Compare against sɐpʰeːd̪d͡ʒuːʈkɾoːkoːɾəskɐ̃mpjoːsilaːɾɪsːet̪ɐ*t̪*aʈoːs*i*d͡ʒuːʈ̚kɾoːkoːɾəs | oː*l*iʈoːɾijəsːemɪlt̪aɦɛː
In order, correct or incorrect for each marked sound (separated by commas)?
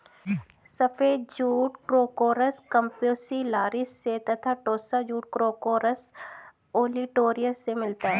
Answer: incorrect, incorrect, correct